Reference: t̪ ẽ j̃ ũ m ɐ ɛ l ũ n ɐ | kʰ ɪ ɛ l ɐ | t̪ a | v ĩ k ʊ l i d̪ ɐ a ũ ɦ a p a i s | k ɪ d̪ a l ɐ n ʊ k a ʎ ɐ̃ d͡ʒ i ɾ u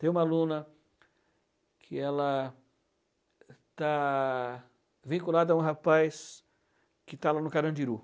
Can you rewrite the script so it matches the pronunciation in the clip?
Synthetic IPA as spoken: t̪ ẽ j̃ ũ m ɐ a l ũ n ɐ | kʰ ɪ ɛ l ɐ | t̪ a | v ĩ k u l a d̪ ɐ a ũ ɦ a p a j s | k ɪ t̪ a l a n ʊ k a ɾ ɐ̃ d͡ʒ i ɾ u